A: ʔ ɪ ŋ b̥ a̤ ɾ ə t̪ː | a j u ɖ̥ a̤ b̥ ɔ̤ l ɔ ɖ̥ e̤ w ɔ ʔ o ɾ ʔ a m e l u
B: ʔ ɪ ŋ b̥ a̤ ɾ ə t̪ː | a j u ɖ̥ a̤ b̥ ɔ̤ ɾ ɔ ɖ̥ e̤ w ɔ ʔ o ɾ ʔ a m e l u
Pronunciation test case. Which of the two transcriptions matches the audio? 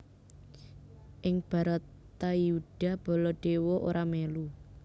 A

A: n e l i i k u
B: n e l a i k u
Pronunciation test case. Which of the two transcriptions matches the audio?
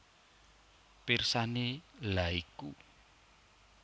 B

